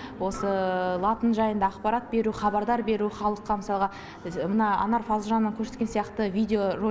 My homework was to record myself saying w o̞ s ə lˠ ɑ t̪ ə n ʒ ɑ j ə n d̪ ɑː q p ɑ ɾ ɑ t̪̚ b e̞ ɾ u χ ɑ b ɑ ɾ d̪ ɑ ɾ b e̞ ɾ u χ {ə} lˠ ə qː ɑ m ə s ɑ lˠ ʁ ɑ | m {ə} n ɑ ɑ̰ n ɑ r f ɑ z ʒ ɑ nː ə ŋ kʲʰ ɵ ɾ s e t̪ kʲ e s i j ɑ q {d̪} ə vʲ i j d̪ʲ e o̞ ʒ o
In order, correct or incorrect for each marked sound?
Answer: incorrect, correct, incorrect

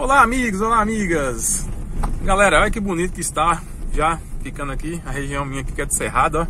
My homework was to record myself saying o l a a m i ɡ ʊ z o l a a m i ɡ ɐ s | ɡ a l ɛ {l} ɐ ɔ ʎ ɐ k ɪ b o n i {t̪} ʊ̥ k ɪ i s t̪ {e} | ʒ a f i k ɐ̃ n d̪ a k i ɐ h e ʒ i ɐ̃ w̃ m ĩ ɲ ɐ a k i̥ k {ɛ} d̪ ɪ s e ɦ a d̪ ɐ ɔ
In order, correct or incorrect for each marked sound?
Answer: incorrect, correct, incorrect, correct

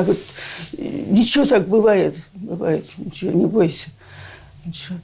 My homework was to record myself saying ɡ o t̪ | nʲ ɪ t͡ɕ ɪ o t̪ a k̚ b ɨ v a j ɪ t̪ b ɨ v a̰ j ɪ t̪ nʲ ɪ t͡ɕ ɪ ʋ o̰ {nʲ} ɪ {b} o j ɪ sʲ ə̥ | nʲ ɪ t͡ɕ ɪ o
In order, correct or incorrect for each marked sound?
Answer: correct, correct

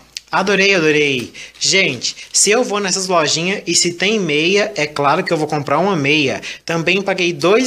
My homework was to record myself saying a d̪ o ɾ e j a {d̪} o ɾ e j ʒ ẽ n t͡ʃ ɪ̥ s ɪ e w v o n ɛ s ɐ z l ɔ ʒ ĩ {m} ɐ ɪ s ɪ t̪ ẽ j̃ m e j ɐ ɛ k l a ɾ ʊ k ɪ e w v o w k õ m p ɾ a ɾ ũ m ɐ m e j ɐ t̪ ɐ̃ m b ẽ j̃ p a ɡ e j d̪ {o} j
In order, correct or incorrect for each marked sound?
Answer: correct, incorrect, correct

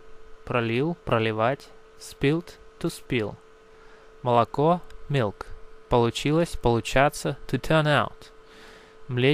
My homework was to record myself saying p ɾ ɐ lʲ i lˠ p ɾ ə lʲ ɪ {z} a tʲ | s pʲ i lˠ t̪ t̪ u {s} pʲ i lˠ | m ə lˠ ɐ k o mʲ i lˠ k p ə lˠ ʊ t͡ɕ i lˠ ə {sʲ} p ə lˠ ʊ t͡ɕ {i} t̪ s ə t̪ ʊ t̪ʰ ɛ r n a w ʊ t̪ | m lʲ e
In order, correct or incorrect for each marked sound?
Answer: incorrect, correct, correct, incorrect

